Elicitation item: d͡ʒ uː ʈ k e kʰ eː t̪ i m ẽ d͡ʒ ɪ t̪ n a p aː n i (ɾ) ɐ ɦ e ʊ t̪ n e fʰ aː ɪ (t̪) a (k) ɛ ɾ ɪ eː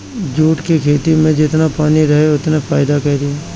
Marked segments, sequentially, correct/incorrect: correct, incorrect, correct

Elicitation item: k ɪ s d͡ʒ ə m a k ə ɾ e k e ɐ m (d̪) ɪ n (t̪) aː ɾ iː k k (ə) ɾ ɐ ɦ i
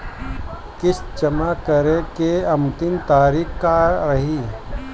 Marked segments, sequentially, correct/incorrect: incorrect, correct, incorrect

